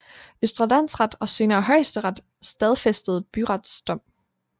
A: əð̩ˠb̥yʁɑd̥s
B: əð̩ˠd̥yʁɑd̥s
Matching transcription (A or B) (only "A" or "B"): A